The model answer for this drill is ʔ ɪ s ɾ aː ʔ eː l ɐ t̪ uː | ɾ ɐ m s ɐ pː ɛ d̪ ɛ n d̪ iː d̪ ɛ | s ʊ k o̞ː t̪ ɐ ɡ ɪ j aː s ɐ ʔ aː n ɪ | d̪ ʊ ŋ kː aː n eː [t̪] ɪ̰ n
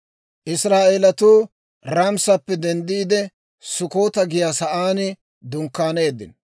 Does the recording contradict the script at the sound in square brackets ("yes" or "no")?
yes